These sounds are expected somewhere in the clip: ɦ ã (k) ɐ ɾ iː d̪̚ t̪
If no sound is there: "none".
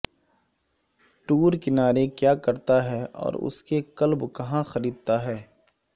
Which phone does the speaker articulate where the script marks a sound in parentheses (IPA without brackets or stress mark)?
x